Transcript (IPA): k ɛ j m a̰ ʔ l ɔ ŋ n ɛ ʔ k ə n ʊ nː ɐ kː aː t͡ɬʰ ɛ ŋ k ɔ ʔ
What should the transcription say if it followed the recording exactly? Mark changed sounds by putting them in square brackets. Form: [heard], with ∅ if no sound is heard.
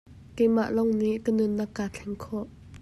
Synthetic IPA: k ɛ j m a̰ ʔ l ɔ ŋ n [i] ʔ k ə n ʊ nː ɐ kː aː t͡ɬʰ ɛ ŋ [kʰ] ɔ ʔ